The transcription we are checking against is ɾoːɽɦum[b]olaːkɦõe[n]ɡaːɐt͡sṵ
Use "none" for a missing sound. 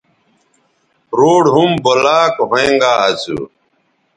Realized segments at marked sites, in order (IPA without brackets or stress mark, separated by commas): b, ŋ